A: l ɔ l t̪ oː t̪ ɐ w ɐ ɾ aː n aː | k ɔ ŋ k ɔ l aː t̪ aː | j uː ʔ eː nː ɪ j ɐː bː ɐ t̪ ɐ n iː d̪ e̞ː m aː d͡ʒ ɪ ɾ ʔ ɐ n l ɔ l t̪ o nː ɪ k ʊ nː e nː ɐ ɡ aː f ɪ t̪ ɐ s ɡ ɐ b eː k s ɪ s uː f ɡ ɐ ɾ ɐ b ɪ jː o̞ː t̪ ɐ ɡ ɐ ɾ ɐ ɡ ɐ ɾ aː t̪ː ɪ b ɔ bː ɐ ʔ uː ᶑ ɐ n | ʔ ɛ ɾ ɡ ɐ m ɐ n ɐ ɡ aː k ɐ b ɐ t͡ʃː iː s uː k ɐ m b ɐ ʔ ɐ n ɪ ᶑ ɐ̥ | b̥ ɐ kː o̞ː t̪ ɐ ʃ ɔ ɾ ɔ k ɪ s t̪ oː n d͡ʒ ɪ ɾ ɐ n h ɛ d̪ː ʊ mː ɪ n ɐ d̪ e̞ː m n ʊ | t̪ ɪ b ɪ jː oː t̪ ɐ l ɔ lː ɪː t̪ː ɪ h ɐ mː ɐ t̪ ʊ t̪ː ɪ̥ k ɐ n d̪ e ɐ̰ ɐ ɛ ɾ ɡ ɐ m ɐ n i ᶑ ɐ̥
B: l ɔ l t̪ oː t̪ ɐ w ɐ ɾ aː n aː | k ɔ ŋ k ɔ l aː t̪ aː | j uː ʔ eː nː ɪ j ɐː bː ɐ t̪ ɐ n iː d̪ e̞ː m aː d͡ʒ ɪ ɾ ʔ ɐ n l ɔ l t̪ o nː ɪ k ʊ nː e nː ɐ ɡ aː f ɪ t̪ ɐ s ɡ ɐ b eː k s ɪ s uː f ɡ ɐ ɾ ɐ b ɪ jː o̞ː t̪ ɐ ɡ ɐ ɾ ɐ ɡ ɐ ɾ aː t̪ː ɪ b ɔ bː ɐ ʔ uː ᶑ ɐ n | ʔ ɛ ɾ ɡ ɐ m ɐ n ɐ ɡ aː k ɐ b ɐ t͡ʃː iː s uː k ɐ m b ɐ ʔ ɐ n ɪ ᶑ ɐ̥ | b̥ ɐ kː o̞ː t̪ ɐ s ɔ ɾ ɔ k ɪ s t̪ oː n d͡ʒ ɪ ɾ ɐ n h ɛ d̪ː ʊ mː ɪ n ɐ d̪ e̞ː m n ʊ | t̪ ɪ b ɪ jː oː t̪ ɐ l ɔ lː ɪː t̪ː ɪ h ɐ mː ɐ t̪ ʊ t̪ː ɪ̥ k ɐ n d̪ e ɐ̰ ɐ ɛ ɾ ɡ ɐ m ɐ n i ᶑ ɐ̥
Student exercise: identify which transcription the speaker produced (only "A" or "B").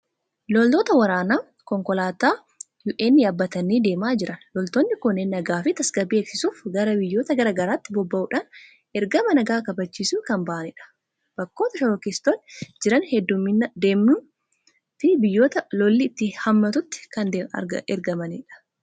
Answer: A